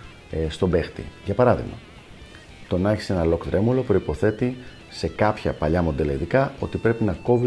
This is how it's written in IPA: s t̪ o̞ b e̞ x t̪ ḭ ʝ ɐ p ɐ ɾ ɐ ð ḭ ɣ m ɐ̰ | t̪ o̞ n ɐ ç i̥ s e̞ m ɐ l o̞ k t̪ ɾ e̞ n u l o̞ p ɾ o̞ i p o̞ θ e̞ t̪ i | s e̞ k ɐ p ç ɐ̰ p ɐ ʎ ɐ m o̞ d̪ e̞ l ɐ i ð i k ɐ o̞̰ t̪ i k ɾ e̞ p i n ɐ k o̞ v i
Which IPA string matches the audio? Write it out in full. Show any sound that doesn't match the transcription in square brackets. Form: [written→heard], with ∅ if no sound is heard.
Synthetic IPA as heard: s t̪ o̞ b e̞ x t̪ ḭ ʝ ɐ p ɐ ɾ ɐ ð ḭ ɣ m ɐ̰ | t̪ o̞ n ɐ ç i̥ s e̞ [m→n] ɐ l o̞ k t̪ ɾ e̞ [n→m] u l o̞ p ɾ o̞ i p o̞ θ e̞ t̪ i | s e̞ k ɐ p ç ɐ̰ p ɐ ʎ ɐ m o̞ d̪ e̞ l ɐ i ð i k ɐ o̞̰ t̪ i [k→p] ɾ e̞ p i n ɐ k o̞ v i